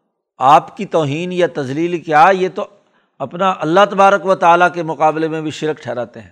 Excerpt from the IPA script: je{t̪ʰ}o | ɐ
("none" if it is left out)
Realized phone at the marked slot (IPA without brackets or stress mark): t̪